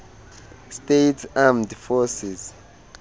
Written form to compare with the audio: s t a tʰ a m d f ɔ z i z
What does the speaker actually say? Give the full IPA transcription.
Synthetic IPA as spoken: s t e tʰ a m d f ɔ s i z